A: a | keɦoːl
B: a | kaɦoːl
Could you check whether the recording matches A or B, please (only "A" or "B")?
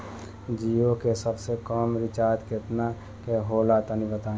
A